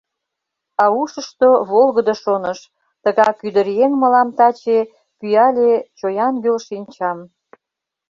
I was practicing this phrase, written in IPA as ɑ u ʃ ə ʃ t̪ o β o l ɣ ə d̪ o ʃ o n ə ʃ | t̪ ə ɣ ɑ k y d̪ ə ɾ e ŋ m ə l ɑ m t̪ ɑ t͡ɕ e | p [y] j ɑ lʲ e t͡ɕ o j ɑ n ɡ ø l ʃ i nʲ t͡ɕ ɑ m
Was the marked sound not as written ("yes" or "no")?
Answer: no